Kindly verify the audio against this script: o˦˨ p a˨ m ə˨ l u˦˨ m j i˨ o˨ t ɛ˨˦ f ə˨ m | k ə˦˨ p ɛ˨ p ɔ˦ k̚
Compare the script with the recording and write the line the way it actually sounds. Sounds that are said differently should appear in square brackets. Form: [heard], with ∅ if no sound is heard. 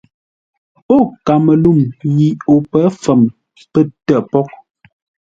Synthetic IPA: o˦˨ [k] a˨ m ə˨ l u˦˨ m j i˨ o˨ [p] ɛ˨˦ f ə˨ m | [p] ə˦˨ [t] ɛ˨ p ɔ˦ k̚